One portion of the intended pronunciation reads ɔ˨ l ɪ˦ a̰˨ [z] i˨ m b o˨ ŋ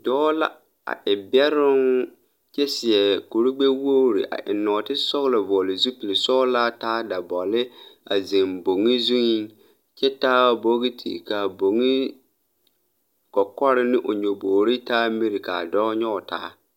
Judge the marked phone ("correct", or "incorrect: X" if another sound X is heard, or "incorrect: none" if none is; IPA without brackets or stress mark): correct